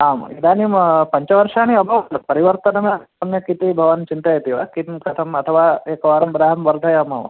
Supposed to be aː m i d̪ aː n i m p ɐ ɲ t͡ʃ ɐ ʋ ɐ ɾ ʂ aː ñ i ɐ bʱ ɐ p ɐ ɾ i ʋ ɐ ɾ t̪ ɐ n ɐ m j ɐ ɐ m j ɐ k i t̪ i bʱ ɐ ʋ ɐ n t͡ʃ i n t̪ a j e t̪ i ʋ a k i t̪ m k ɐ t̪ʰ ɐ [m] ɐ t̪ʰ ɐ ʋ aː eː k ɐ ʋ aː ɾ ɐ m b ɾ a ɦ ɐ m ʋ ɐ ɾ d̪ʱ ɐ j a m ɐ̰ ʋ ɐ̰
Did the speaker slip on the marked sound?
no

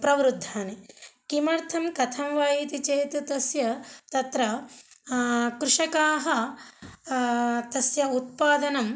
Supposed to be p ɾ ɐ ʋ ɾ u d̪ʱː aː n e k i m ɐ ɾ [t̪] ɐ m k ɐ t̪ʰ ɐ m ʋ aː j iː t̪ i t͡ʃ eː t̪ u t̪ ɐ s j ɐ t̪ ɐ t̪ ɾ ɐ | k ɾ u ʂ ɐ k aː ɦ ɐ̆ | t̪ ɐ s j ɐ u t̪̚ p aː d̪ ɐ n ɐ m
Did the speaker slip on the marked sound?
yes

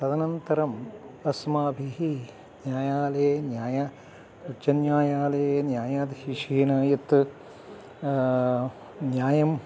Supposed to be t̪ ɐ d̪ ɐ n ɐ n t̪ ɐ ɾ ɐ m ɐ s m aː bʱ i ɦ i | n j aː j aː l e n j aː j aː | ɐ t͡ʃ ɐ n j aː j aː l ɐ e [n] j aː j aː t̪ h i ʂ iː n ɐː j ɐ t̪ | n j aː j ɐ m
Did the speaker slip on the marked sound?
no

